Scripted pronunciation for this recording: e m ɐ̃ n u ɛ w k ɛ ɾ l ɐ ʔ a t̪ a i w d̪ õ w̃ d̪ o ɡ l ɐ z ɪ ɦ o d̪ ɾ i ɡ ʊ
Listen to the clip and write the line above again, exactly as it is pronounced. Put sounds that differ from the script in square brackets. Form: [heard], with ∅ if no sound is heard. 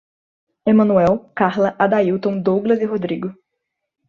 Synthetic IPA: e m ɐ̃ n u ɛ w k [a] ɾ l ɐ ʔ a [d̪] a i w [t̪] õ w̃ d̪ o ɡ l ɐ z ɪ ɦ o d̪ ɾ i ɡ ʊ